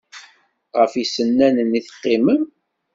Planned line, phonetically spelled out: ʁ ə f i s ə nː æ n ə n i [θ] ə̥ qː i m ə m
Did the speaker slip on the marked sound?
no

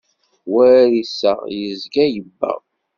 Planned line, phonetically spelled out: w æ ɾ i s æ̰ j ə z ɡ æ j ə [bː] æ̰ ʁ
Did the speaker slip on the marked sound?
no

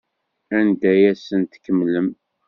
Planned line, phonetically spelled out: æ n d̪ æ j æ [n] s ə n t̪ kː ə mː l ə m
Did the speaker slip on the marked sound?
yes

